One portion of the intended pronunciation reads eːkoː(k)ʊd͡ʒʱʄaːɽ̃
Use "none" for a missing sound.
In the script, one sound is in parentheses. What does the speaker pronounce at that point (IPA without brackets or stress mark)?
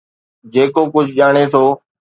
k